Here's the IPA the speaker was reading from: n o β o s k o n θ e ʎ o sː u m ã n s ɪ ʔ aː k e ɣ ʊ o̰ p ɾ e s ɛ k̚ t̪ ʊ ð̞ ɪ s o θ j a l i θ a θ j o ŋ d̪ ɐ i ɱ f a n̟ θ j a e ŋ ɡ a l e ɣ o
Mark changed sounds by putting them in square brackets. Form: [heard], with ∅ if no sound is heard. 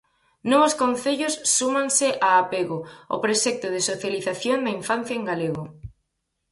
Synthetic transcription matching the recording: n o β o s k o n θ e ʎ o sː u m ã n s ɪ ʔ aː [p] e ɣ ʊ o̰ p ɾ e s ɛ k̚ t̪ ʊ ð̞ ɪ s o θ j a l i θ a θ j o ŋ d̪ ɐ i ɱ f a n̟ θ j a e ŋ ɡ a l e ɣ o